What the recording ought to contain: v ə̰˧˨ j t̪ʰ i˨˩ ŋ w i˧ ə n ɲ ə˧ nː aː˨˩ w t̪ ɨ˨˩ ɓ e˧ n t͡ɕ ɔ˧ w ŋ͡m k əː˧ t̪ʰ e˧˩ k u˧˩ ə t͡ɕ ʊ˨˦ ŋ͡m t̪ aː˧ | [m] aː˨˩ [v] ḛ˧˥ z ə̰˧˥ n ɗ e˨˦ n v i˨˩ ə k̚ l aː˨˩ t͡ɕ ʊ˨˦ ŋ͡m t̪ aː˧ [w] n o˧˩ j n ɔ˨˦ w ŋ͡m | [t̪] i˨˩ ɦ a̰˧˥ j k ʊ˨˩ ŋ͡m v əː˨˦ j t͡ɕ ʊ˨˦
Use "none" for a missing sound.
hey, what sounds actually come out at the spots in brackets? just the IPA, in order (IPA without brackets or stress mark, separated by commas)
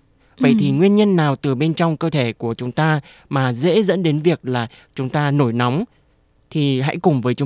m, z, none, t̪ʰ